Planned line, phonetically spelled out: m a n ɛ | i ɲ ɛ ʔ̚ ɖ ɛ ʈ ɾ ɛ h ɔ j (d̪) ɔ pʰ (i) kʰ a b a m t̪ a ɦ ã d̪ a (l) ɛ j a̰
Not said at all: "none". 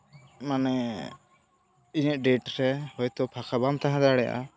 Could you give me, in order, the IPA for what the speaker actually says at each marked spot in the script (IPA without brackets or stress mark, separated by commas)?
t̪, a, ɽ